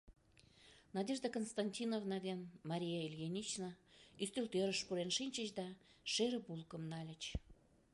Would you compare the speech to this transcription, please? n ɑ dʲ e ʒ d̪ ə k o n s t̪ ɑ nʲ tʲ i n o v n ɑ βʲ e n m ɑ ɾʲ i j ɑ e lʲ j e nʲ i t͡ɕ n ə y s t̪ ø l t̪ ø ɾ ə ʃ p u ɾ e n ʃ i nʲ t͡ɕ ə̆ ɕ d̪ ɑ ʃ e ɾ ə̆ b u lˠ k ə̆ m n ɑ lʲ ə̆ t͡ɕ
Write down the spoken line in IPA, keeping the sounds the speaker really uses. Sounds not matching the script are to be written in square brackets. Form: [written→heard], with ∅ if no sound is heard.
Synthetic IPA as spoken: n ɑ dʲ e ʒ d̪ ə k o n s t̪ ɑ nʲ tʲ i n o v n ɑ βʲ e n m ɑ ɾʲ i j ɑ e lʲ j e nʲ i t͡ɕ n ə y s t̪ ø l t̪ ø ɾ ə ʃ p u ɾ e n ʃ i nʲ t͡ɕ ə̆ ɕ d̪ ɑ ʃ e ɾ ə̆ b u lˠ k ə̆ m n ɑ lʲ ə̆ t͡ɕ